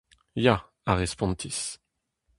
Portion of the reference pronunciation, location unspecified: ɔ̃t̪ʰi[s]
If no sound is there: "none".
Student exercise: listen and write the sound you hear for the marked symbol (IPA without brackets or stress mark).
s